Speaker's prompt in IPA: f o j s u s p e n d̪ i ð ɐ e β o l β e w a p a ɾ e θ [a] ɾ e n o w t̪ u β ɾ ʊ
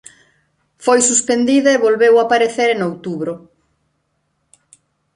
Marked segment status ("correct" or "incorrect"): incorrect